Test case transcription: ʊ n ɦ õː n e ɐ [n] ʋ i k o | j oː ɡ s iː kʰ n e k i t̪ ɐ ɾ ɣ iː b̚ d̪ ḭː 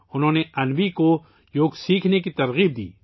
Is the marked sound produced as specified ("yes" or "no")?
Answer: yes